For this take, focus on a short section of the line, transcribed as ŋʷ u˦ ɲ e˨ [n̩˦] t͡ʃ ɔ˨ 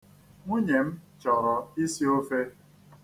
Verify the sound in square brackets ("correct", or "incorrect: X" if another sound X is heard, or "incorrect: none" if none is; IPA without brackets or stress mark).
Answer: incorrect: m̩˦